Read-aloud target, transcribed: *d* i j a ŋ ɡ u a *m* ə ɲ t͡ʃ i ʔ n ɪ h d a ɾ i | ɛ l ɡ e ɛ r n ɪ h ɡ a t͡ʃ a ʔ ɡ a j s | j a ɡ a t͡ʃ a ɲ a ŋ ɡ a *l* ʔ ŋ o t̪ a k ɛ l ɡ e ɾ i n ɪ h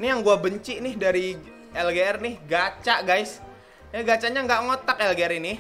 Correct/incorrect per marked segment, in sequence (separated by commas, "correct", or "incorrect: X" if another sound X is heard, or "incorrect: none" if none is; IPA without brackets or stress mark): incorrect: n, incorrect: b, incorrect: none